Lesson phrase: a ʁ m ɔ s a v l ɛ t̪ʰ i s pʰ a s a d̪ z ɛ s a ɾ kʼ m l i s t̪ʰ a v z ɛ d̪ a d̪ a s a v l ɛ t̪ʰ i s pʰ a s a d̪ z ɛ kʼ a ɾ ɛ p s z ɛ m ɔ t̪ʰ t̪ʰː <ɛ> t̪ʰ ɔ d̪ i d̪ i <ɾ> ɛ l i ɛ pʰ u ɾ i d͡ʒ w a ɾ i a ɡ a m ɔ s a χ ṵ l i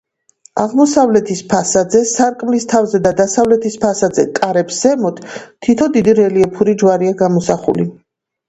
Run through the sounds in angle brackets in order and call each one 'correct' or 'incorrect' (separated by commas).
incorrect, correct